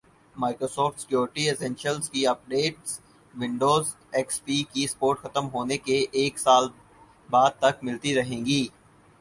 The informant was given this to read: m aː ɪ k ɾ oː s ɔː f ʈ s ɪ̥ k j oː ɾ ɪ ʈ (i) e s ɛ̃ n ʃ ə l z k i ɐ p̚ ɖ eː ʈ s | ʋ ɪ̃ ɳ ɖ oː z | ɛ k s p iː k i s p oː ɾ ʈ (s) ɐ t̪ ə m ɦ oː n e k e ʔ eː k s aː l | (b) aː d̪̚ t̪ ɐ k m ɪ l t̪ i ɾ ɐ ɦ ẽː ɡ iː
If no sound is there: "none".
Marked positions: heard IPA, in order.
i, x, b

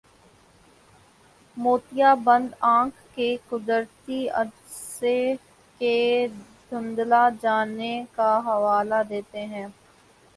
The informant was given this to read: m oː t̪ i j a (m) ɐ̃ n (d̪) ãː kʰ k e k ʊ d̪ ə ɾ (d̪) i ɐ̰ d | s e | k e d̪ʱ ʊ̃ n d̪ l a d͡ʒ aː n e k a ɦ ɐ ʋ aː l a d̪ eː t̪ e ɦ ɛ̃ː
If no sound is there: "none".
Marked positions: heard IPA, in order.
b, d̪, t̪

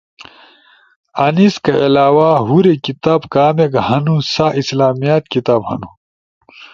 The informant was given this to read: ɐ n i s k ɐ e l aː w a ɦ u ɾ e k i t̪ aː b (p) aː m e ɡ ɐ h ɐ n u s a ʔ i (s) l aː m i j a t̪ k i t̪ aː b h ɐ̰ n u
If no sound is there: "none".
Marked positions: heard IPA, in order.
k, s

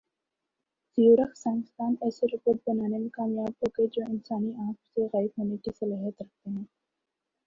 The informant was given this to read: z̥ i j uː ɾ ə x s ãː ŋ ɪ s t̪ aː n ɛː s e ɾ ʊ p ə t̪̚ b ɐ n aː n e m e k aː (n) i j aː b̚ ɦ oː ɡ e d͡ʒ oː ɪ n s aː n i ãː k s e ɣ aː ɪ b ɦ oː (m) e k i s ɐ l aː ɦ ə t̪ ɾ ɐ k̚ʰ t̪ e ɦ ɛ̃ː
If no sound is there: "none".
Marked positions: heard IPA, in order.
m, n

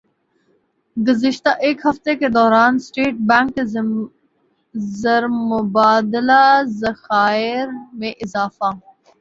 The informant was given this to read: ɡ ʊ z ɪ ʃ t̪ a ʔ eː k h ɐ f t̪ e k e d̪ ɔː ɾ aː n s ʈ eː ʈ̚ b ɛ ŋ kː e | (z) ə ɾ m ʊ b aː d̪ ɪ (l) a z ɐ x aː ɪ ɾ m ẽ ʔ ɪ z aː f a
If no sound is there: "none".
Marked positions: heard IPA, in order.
z, l

